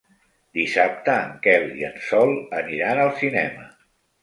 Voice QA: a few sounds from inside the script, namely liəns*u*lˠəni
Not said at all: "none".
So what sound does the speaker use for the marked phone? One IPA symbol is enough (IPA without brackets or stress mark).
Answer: ɔ